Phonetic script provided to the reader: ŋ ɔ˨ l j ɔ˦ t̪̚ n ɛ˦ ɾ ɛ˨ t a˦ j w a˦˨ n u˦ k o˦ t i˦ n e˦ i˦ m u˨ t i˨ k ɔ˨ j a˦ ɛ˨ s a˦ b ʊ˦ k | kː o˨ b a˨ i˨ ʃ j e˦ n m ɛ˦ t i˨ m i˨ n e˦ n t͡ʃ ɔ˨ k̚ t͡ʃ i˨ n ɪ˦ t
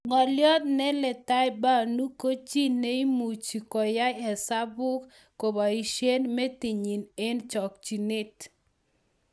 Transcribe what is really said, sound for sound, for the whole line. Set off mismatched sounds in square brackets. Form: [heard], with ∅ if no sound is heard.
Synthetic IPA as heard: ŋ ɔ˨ l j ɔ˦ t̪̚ n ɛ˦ [l] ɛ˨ t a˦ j [b] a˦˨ n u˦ k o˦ [t͡ʃ] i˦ n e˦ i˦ m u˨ [t͡ʃ] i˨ k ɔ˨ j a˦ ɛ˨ s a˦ b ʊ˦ k | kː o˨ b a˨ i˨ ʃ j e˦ n m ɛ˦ t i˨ [ɲ] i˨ n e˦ n t͡ʃ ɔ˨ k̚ t͡ʃ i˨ n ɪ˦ t